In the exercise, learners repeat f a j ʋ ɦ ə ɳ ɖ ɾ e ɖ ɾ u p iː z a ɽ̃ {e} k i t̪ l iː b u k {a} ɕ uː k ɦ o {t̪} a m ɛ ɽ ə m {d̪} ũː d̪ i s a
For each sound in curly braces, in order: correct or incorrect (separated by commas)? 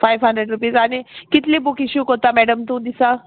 incorrect, incorrect, correct, incorrect